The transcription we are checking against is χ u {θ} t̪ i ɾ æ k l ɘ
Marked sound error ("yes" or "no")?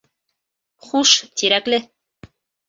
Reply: yes